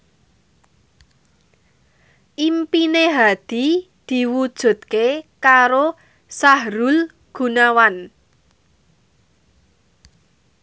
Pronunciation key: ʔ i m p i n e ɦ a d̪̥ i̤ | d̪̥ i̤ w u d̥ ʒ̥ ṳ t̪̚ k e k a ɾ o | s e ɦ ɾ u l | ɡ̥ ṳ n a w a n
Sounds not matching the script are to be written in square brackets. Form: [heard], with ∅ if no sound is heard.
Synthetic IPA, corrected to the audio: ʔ i m p i n e ɦ a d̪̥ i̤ | d̪̥ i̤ w u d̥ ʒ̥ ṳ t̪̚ k e k a ɾ o | s [a] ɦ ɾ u l | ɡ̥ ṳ n a w a n